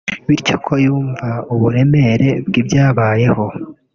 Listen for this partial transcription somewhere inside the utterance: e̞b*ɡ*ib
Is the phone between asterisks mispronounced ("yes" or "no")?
no